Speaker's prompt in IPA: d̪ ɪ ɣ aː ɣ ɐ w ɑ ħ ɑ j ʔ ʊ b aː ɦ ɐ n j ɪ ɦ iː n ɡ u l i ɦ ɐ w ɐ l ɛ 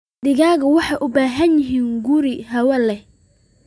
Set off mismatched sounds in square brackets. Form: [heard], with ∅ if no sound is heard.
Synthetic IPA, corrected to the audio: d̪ ɪ ɣ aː ɣ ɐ w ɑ ħ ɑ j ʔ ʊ b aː ɦ ɐ n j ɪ ɦ iː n ɡ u [ɾ] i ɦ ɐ w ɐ l ɛ